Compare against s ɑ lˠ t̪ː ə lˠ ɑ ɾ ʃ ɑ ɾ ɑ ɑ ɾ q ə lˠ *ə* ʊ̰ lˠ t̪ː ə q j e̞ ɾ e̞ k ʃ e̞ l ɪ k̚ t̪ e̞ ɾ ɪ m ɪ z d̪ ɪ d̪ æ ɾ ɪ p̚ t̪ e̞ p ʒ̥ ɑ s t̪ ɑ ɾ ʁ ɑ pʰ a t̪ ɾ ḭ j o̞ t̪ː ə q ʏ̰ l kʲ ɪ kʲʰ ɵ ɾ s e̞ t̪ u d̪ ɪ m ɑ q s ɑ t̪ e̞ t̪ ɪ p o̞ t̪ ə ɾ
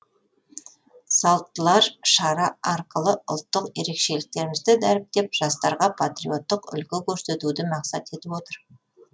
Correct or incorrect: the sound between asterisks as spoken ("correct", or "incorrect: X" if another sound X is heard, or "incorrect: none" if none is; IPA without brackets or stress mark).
correct